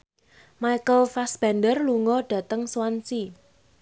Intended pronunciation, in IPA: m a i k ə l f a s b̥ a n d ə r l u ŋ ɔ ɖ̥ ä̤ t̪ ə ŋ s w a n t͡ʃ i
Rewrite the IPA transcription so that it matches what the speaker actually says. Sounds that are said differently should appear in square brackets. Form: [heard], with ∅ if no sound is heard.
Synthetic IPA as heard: m a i k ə l f a s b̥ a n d ə r l u ŋ ɔ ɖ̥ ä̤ t̪ ə ŋ s w a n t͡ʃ i